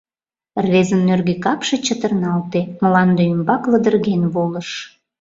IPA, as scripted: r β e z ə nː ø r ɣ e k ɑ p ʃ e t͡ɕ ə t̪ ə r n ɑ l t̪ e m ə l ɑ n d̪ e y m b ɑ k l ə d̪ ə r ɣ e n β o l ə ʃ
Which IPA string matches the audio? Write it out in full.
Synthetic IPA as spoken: r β e z ə nː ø r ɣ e k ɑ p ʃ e t͡ɕ ə t̪ ə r n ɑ l t̪ e m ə l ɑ n d̪ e y m b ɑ k l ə d̪ ə r ɣ e n β o l ə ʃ